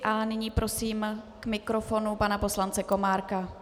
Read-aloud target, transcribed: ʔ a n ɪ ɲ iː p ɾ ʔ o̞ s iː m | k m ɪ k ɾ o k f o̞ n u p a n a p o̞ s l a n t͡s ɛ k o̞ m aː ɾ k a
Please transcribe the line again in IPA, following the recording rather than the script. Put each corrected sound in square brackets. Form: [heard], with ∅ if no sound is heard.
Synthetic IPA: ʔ a n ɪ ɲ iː p ɾ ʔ o̞ s iː m | k m ɪ k ɾ o [∅] f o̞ n u p a n a p o̞ s l a n t͡s ɛ k o̞ m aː ɾ k a